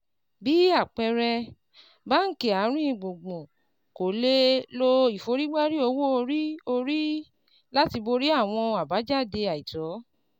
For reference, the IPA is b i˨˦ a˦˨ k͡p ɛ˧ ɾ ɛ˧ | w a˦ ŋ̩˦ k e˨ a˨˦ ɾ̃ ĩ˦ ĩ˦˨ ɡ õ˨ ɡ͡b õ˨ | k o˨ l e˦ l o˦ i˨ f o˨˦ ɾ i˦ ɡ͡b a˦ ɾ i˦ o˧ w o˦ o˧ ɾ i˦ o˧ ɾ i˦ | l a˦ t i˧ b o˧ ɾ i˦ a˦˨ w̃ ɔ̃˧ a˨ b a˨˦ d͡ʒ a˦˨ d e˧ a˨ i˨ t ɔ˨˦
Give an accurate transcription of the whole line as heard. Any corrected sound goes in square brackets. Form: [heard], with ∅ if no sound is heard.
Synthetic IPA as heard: b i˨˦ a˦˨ k͡p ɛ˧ ɾ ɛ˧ | [b] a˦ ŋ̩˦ k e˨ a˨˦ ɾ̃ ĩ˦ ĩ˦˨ [ɡ͡b] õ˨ ɡ͡b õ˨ | k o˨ l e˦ l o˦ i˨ f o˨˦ ɾ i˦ ɡ͡b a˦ ɾ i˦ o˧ w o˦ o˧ ɾ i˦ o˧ ɾ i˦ | l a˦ t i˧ b o˧ ɾ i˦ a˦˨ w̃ ɔ̃˧ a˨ b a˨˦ d͡ʒ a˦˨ d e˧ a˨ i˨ t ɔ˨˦